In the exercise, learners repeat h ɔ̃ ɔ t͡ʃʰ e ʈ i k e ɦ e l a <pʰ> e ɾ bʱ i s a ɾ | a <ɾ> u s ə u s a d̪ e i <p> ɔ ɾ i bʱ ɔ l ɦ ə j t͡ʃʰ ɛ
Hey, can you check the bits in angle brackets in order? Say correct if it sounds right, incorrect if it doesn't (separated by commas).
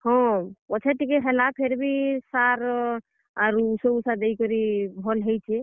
correct, correct, incorrect